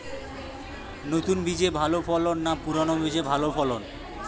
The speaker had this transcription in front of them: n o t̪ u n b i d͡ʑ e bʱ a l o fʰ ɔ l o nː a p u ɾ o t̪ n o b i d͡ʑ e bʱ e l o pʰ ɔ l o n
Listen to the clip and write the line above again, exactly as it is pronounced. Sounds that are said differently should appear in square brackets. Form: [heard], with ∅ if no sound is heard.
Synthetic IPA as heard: n o t̪ u n b i d͡ʑ e bʱ a l o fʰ ɔ l o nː a p u ɾ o [∅] n o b i d͡ʑ e bʱ [a] l o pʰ ɔ l o n